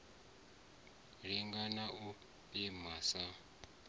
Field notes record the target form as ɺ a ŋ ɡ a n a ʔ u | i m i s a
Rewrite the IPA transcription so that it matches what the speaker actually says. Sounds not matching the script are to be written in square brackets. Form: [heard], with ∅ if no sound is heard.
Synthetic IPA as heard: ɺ [i] ŋ ɡ a n a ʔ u | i m [a] s a